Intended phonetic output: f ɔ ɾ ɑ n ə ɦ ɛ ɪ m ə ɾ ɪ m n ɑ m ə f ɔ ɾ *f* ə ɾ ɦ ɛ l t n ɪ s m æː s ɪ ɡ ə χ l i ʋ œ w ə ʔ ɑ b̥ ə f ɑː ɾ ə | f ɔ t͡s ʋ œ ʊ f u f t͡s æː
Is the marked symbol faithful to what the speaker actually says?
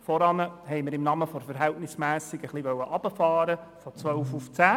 yes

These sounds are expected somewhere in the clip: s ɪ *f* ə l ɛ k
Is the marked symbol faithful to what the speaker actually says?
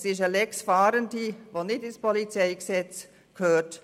no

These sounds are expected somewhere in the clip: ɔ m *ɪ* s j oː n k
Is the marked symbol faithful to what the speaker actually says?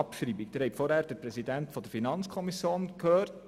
no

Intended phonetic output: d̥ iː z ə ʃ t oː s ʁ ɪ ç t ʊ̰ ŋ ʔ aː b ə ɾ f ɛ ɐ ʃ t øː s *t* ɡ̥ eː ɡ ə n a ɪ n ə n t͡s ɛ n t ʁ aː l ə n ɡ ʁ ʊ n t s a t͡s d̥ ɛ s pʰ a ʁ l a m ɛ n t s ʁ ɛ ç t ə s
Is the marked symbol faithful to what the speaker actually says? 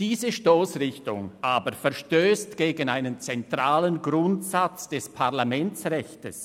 yes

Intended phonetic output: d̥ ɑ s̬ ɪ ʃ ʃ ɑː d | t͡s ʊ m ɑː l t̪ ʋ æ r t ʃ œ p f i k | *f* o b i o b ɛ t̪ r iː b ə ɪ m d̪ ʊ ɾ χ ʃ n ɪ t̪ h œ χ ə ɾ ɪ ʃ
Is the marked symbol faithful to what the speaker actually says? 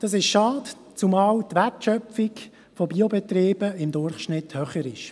yes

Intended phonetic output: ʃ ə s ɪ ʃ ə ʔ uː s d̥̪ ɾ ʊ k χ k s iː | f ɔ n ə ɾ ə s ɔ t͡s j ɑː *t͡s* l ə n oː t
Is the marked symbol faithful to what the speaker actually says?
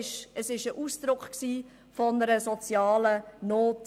no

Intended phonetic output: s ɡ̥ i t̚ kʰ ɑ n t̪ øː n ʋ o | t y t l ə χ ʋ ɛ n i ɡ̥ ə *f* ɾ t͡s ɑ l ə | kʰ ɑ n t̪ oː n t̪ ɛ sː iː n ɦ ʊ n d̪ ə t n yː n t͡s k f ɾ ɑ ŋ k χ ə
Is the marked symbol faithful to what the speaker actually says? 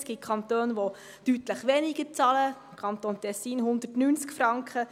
no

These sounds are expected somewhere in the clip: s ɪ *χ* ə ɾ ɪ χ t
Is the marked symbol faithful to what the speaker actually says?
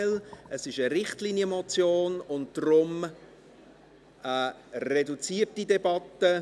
no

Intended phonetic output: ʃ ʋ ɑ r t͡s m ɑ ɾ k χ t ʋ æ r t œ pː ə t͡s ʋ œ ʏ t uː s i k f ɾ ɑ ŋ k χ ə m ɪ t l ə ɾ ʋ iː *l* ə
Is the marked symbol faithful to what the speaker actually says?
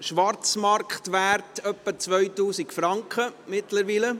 yes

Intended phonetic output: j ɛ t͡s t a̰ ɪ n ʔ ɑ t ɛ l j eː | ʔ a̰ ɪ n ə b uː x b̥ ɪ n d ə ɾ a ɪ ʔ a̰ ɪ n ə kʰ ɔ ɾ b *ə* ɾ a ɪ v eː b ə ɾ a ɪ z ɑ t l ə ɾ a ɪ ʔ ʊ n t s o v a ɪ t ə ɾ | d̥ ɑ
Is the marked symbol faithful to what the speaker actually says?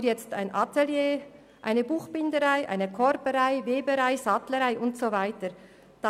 yes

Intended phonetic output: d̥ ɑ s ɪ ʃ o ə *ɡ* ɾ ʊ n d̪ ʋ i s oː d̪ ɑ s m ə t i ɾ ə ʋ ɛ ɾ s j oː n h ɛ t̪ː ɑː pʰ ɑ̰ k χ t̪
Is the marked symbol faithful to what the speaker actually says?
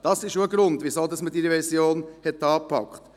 yes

